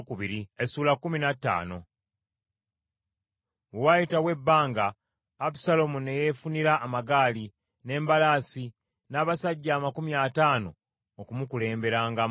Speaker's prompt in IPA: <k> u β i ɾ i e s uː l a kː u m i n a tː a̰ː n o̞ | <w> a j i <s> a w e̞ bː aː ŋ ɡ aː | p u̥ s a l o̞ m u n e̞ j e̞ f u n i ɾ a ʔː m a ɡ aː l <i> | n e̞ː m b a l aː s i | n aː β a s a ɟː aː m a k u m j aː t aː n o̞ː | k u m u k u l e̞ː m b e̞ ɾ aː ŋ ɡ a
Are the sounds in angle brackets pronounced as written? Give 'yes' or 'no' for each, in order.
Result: yes, yes, no, yes

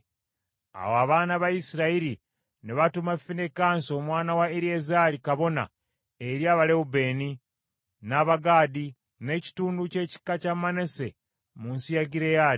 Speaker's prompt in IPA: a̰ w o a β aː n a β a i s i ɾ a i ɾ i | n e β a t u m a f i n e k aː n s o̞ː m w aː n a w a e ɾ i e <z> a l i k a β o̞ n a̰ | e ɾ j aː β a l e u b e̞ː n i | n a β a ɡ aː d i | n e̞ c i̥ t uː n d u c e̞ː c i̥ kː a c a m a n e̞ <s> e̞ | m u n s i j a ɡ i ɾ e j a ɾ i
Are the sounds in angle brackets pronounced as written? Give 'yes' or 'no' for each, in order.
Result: yes, yes

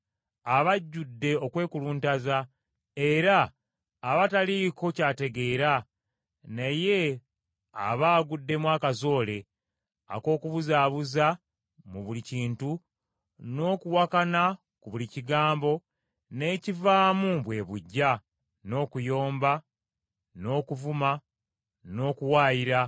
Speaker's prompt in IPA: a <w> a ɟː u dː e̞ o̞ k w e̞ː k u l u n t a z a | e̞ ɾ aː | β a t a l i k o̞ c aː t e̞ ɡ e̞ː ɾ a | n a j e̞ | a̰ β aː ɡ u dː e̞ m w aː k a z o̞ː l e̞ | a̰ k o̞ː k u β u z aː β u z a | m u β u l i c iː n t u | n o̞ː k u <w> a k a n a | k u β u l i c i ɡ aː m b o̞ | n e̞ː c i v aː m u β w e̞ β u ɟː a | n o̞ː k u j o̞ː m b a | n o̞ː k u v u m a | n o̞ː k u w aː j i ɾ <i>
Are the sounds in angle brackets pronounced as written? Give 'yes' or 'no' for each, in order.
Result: no, yes, no

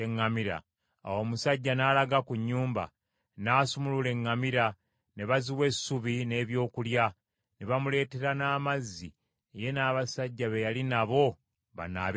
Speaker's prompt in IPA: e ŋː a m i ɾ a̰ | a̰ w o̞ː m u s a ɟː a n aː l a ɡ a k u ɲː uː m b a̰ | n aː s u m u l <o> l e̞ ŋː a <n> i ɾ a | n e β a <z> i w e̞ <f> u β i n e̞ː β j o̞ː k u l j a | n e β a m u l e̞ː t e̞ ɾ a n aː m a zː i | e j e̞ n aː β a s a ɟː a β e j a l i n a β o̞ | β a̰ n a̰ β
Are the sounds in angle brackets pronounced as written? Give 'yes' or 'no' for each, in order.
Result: no, no, yes, no

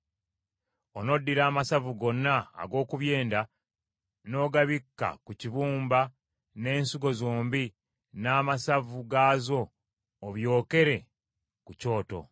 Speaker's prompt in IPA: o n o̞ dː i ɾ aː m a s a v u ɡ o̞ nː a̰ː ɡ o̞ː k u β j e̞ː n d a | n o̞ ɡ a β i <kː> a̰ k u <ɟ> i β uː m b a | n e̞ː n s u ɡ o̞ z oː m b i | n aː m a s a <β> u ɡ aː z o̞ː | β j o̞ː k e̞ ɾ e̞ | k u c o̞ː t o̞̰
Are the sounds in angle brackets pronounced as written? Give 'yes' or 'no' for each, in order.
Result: yes, no, no

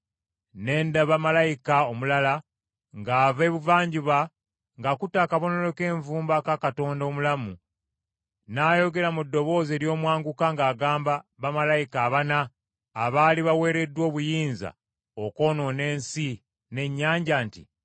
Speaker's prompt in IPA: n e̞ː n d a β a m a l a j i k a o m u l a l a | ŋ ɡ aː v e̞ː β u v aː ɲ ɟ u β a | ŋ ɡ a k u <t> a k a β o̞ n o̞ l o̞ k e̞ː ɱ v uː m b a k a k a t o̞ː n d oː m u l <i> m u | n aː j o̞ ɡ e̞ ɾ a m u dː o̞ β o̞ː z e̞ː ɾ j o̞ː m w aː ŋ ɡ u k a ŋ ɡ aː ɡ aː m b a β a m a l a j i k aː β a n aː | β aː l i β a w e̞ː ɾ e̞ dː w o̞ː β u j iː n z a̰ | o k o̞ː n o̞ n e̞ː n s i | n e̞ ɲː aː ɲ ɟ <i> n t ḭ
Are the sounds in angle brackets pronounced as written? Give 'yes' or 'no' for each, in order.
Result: yes, no, no

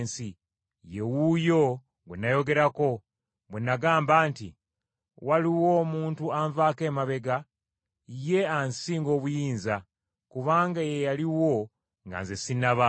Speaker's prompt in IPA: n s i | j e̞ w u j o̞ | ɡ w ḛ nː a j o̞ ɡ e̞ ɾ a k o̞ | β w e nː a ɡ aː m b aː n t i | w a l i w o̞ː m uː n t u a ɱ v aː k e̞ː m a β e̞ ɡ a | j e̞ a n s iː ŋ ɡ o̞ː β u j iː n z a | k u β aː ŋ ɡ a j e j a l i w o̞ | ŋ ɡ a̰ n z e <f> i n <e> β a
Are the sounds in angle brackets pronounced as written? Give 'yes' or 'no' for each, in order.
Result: no, no

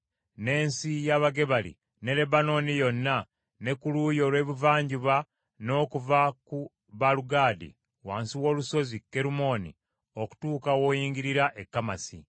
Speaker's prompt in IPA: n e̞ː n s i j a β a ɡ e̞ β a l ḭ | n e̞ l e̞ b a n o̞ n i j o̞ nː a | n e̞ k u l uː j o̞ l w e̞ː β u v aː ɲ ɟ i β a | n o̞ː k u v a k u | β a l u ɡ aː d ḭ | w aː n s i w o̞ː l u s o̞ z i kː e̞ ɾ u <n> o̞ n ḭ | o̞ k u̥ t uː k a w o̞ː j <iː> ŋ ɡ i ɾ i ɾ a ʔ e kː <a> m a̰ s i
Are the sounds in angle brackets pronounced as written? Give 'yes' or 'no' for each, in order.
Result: no, yes, yes

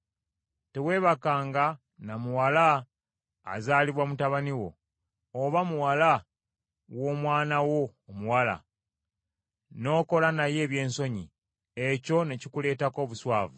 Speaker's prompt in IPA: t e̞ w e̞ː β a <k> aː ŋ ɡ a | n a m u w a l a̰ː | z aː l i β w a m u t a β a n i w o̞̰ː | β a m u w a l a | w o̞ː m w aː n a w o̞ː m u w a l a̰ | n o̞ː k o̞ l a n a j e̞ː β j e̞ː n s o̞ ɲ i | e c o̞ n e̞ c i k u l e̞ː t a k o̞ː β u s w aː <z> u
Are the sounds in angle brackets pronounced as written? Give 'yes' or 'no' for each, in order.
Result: yes, no

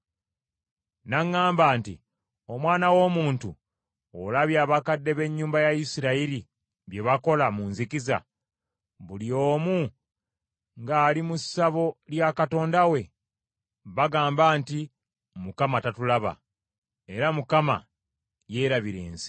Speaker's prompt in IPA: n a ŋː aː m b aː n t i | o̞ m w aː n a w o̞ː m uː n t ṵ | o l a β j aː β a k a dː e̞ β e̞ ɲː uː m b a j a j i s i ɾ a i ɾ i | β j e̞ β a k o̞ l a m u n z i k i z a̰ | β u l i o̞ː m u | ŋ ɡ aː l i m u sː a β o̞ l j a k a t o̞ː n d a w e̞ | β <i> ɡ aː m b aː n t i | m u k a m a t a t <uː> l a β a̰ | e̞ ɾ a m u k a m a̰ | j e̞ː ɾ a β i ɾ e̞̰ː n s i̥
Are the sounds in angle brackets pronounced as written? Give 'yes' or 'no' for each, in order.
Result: no, no

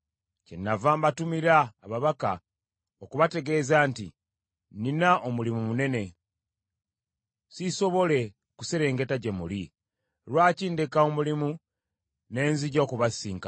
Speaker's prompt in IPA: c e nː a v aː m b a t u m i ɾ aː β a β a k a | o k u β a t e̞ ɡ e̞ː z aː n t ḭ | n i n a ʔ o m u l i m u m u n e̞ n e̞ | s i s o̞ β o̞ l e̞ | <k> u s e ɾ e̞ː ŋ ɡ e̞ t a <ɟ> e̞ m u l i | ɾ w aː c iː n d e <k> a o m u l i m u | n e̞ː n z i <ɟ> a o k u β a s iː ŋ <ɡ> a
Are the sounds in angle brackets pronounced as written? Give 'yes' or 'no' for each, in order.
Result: yes, yes, yes, yes, no

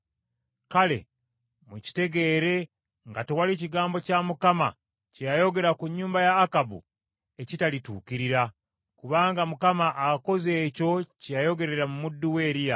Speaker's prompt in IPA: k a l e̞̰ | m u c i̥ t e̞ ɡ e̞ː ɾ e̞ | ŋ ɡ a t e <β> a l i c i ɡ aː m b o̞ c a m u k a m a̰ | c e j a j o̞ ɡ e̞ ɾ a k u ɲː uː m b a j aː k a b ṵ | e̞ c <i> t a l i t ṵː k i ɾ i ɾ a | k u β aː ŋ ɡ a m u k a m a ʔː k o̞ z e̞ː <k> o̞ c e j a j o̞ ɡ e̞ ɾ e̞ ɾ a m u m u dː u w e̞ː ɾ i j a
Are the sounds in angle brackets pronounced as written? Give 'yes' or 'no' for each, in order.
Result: no, yes, no

